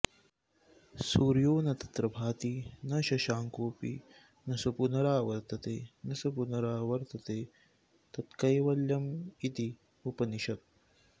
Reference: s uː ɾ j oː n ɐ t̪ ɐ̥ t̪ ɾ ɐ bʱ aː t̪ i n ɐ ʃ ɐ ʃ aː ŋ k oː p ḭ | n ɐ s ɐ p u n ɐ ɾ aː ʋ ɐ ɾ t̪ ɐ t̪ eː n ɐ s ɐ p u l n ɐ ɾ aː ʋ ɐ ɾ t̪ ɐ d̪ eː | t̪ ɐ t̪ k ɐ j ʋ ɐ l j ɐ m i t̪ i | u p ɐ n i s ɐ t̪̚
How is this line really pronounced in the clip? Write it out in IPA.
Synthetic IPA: s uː ɾ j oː n ɐ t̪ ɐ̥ t̪ ɾ ɐ bʱ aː t̪ i n ɐ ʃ ɐ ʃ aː ŋ k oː p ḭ | n ɐ s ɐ p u n ɐ ɾ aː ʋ ɐ ɾ t̪ ɐ t̪ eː n ɐ s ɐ p u n ɐ ɾ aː ʋ ɐ ɾ t̪ ɐ t̪ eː | t̪ ɐ t̪ k ɐ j ʋ ɐ l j ɐ m i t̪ i | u p ɐ n i ʃ ɐ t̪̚